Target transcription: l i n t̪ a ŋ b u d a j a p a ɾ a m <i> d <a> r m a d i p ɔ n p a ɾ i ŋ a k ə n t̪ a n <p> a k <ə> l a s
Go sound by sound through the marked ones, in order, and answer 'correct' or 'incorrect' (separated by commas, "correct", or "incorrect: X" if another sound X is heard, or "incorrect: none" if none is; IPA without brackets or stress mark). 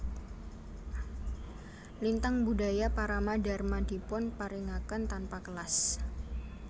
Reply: incorrect: a, correct, correct, correct